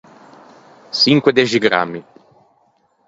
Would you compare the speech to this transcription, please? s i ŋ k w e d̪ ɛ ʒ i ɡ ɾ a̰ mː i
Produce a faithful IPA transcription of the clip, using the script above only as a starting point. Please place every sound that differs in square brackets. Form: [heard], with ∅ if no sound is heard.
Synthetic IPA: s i ŋ k w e d̪ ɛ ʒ i ɡ ɾ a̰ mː i